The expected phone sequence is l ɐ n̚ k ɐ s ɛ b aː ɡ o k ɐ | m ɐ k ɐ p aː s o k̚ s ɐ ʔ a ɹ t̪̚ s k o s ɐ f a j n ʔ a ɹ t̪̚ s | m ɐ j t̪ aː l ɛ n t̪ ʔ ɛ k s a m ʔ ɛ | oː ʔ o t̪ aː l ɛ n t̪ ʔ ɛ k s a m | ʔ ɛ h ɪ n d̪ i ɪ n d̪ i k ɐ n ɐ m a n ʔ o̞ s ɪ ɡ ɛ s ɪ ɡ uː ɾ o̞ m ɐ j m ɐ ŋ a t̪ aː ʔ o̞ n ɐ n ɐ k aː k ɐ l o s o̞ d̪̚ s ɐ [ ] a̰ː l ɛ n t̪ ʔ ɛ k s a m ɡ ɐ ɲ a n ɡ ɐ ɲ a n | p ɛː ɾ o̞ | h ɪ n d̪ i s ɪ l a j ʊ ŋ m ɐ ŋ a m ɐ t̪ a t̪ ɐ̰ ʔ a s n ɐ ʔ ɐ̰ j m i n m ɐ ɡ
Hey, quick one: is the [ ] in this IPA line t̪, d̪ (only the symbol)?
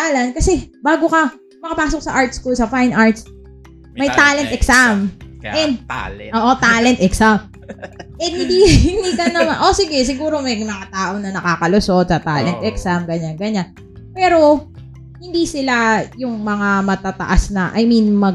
t̪